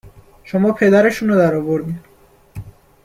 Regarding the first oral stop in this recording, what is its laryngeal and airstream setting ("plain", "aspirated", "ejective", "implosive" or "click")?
aspirated